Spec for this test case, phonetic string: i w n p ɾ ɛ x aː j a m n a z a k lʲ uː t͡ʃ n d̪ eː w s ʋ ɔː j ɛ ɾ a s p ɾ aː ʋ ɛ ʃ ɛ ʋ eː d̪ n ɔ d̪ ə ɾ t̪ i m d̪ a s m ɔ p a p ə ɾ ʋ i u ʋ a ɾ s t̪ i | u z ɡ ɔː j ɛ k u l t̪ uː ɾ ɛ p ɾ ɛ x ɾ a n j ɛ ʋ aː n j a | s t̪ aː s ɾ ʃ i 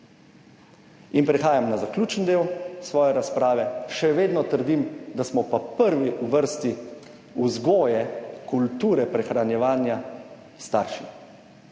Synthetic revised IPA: i n p ɾ ɛ x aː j a m n a z a k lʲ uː t͡ʃ n d̪ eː w s ʋ ɔː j ɛ ɾ a s p ɾ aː ʋ ɛ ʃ ɛ ʋ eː d̪ n ɔ t̪ ə ɾ d̪ i m d̪ a s m ɔ p a p ə ɾ ʋ i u ʋ ə ɾ s t̪ i | u z ɡ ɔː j ɛ k u l t̪ uː ɾ ɛ p ɾ ɛ x ɾ a n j ɛ ʋ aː n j a | s t̪ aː ɾ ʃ i